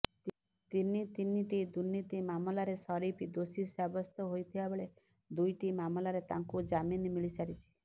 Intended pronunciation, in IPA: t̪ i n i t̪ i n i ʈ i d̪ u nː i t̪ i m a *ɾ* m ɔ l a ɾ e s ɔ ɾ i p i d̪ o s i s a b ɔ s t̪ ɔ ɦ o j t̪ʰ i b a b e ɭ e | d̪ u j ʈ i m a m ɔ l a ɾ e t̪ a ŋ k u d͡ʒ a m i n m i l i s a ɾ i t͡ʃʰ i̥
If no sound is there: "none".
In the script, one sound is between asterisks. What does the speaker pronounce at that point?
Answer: none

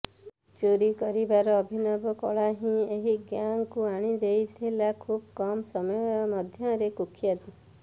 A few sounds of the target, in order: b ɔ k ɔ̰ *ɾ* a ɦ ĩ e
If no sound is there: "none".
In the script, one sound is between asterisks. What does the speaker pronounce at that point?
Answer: ɭ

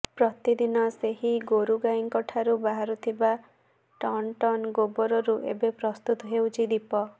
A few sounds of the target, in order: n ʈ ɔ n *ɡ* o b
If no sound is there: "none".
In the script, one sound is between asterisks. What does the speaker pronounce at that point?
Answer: ɡ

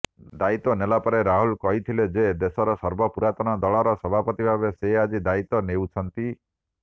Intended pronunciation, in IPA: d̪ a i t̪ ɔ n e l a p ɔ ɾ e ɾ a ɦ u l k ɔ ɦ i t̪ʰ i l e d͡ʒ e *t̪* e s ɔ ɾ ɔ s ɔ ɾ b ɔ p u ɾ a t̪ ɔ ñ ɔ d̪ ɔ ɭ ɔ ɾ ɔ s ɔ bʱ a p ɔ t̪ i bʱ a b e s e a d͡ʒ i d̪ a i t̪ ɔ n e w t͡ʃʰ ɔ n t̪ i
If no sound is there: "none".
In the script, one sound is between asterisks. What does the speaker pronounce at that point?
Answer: d̪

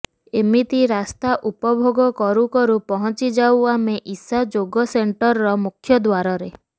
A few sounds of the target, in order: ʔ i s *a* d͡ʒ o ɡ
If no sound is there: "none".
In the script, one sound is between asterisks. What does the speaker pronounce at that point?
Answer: a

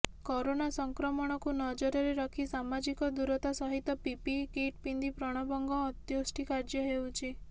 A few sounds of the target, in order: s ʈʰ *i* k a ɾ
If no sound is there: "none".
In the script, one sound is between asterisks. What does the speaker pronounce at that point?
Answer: i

